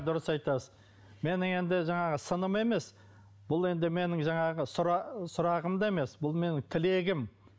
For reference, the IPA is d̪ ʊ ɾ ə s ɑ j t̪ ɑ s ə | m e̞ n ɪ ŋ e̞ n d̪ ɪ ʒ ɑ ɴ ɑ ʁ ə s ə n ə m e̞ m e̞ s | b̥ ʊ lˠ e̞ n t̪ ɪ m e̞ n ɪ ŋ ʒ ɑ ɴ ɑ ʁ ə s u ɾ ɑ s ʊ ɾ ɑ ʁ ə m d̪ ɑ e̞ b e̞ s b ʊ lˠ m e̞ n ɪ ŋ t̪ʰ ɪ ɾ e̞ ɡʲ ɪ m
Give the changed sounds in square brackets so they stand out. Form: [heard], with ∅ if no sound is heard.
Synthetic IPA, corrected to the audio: d̪ ʊ ɾ ə s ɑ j t̪ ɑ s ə | m e̞ n ɪ ŋ e̞ n d̪ ɪ ʒ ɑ ɴ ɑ ʁ ə s ə n ə m e̞ m e̞ s | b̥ ʊ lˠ e̞ n [d̪] ɪ m e̞ n ɪ ŋ ʒ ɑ ɴ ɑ ʁ ə s [ʊ] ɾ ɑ s ʊ ɾ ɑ ʁ ə m d̪ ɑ e̞ [m] e̞ s b ʊ lˠ m e̞ n ɪ ŋ t̪ʰ ɪ [l] e̞ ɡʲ ɪ m

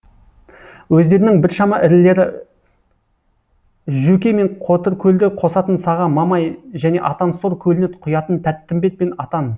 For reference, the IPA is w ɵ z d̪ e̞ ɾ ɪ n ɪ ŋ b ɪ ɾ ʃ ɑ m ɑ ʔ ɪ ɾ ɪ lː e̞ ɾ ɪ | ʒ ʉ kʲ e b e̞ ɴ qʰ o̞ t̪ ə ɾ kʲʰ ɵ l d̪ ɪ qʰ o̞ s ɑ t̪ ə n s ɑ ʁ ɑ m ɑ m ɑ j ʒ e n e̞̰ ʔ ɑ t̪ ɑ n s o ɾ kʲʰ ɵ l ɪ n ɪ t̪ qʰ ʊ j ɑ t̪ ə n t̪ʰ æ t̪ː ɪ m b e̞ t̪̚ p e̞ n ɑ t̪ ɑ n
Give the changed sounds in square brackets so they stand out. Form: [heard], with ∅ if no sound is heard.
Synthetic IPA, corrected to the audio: w ɵ z d̪ e̞ ɾ ɪ n ɪ ŋ b ɪ ɾ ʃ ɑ m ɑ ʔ ɪ ɾ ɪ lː e̞ ɾ ɪ | ʒ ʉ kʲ e [m] e̞ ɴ qʰ o̞ t̪ ə ɾ kʲʰ ɵ l d̪ ɪ qʰ o̞ s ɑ t̪ ə n s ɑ ʁ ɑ m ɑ m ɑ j ʒ [æ] n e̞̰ ʔ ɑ t̪ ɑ n s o ɾ kʲʰ ɵ l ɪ n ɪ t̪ qʰ ʊ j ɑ t̪ ə n t̪ʰ æ t̪ː ɪ m b e̞ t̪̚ p e̞ n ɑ t̪ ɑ n

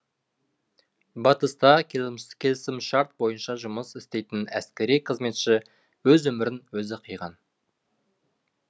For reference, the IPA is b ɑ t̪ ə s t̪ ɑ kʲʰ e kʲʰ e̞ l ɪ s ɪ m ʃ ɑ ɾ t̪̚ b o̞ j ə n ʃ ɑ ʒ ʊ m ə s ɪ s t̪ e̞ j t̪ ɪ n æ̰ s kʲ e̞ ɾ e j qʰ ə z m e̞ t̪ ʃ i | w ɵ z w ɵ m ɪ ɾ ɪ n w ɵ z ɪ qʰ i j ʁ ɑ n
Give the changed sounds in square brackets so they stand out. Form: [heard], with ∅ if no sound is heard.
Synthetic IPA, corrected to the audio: b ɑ t̪ ə s t̪ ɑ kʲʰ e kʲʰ e̞ l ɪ s ɪ m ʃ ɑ ɾ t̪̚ b o̞ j ə n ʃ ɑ ʒ ʊ m ə s ɪ s t̪ e̞ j t̪ ɪ n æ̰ s kʲ e̞ ɾ [i] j qʰ ə z m e̞ t̪ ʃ [ɪ] | w ɵ z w ɵ m ɪ ɾ ɪ n w ɵ z ɪ qʰ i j ʁ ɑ n

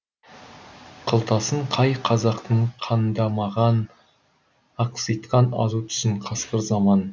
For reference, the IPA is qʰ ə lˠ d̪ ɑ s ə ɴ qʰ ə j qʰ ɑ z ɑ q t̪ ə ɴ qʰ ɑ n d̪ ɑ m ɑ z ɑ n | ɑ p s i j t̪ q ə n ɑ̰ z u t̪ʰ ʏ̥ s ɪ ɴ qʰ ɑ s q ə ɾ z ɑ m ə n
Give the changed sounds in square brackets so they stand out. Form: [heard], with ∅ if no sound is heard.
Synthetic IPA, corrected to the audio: qʰ ə lˠ [t̪] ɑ s ə ɴ qʰ [ɑ] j qʰ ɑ z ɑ q t̪ ə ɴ qʰ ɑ n d̪ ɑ m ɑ [ʁ] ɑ n | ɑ [q] s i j t̪ q [ɑ] n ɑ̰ z u t̪ʰ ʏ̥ s ɪ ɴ qʰ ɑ s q ə ɾ z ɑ m [ɑ] n

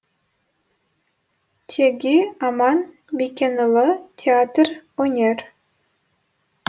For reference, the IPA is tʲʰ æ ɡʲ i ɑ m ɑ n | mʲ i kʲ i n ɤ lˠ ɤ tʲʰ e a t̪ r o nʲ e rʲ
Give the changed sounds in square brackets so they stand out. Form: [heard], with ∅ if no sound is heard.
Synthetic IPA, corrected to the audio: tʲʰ [e] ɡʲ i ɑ m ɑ n | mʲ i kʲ [e] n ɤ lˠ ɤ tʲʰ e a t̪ r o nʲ e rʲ

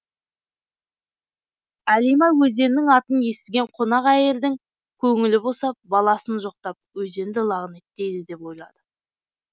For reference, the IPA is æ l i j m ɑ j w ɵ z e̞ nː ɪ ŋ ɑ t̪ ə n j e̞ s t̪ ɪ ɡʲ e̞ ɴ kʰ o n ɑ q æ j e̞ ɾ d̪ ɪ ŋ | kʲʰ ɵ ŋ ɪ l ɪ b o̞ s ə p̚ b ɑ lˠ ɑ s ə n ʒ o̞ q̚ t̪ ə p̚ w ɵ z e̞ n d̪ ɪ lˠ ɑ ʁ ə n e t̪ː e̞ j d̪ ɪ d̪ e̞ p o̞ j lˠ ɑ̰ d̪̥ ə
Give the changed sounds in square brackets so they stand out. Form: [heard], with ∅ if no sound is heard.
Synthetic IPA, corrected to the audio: æ l i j m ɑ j w ɵ z e̞ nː ɪ ŋ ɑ t̪ ə n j e̞ s t̪ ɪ ɡʲ e̞ ɴ [qʰ] o n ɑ q æ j e̞ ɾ d̪ ɪ ŋ | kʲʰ ɵ ŋ ɪ l ɪ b o̞ s [ɑ] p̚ b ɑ lˠ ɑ s ə n ʒ o̞ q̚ t̪ [ɑ] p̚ w ɵ z e̞ n d̪ ɪ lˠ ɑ ʁ ə n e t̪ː e̞ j d̪ ɪ d̪ e̞ p o̞ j lˠ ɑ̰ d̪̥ ə

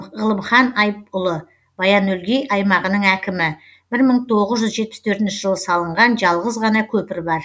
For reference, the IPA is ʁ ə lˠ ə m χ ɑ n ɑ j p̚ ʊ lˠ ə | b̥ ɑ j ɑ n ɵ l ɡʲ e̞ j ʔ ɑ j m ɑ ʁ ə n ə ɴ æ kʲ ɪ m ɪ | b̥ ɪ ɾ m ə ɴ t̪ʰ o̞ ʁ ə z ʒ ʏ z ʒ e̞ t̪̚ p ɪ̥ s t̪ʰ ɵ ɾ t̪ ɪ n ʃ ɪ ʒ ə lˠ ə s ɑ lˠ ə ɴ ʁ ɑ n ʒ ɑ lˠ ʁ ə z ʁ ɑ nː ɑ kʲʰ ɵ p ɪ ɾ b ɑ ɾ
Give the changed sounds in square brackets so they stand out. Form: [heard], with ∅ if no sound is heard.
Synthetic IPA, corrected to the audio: ʁ ə lˠ ə m χ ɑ n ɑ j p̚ ʊ lˠ ə | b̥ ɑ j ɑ n ɵ l ɡʲ e̞ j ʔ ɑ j m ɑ ʁ ə n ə ɴ æ kʲ ɪ m ɪ | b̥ ɪ ɾ m ə ɴ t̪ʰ o̞ ʁ ə z ʒ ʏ z ʒ e̞ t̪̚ p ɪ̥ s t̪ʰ ɵ ɾ t̪ ɪ n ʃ ɪ ʒ ə lˠ ə s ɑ lˠ ə ɴ ʁ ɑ n ʒ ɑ lˠ ʁ ə z ʁ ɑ [n] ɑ kʲʰ ɵ p ɪ ɾ b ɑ ɾ

